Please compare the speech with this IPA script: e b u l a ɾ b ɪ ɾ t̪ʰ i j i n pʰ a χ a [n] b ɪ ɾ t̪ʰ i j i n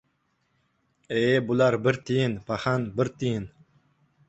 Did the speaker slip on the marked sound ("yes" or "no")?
no